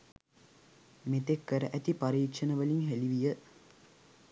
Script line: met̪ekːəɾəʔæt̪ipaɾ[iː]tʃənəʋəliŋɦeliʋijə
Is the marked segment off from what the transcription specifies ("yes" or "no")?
no